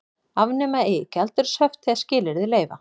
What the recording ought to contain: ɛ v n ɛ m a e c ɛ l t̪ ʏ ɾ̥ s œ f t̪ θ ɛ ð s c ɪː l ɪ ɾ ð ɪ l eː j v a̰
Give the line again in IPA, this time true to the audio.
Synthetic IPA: a v n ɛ m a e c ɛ l t̪ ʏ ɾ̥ s œ f t̪ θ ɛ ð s c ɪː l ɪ ɾ ð ɪ l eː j v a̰